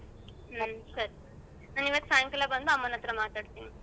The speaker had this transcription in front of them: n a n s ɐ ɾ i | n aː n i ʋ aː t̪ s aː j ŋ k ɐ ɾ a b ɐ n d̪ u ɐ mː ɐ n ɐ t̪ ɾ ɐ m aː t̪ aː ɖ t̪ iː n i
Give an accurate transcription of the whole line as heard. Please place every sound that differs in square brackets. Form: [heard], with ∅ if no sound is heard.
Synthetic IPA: n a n s ɐ ɾ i | n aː n i ʋ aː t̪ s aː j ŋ k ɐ [l] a b ɐ n d̪ u ɐ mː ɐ n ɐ t̪ ɾ ɐ m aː t̪ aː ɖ t̪ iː n i